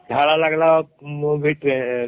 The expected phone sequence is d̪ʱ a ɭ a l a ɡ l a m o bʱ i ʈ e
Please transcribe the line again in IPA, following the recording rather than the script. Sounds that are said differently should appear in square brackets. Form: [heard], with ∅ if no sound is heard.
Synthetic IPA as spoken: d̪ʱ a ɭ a l a ɡ l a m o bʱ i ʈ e